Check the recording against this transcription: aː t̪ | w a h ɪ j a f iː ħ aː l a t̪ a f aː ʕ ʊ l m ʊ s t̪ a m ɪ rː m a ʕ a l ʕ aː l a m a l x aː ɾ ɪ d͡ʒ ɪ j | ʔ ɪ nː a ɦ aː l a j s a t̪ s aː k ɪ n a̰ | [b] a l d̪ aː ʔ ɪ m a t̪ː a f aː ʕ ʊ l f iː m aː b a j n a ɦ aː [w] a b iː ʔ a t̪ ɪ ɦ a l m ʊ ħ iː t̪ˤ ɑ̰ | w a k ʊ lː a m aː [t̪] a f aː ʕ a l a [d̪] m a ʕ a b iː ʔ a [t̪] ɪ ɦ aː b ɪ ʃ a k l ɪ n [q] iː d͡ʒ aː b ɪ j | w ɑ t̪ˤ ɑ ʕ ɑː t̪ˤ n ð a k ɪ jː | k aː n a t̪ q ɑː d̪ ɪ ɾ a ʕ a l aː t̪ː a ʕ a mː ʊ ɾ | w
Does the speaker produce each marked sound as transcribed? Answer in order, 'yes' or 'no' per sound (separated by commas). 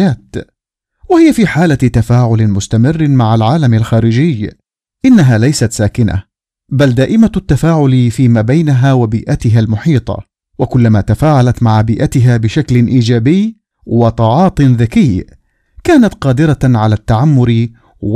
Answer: yes, yes, yes, no, yes, no